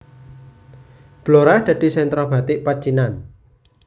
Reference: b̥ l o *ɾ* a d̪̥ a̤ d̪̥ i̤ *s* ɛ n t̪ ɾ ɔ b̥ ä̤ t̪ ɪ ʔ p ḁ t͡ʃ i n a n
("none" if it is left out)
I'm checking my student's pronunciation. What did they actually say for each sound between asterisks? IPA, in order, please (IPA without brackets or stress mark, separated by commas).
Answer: ɾ, s